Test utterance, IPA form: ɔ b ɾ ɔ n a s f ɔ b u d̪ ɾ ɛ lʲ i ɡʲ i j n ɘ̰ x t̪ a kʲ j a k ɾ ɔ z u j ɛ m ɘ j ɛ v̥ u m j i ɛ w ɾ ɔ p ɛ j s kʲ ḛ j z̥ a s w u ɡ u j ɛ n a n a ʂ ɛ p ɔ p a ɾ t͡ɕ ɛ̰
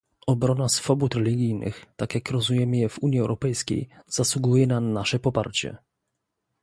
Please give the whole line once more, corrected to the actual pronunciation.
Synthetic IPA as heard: ɔ b ɾ ɔ n a s f ɔ b u t̪ ɾ ɛ lʲ i ɡʲ i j n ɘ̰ x t̪ a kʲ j a k ɾ ɔ z u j ɛ m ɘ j ɛ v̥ u ɲ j i ɛ w ɾ ɔ p ɛ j s kʲ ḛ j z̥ a s w u ɡ u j ɛ n a n a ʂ ɛ p ɔ p a ɾ t͡ɕ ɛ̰